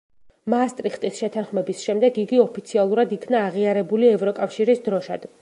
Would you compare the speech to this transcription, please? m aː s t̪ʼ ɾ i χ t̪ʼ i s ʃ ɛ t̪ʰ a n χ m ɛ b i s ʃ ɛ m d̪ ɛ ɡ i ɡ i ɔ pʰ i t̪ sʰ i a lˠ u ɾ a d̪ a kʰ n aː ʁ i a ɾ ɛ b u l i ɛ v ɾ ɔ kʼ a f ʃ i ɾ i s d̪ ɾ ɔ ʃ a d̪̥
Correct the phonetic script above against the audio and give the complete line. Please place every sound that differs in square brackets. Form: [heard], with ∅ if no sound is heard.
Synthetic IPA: m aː s t̪ʼ ɾ i χ t̪ʼ i s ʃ ɛ t̪ʰ a n χ m ɛ b i s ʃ ɛ m d̪ ɛ ɡ i ɡ i ɔ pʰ i t̪ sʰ i a lˠ u ɾ a d̪ [i] kʰ n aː ʁ i a ɾ ɛ b u l i ɛ v ɾ ɔ kʼ a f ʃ i ɾ i s d̪ ɾ ɔ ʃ a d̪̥